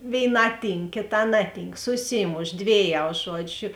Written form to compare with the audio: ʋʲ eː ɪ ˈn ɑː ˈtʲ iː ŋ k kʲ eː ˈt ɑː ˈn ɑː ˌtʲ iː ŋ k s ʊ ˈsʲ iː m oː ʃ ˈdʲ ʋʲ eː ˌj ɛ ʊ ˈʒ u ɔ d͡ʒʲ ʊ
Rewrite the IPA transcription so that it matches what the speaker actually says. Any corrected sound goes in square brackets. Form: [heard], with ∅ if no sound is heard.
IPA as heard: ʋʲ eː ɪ ˈn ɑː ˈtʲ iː ŋ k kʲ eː ˈt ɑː ˈn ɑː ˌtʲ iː ŋ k s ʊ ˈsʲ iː m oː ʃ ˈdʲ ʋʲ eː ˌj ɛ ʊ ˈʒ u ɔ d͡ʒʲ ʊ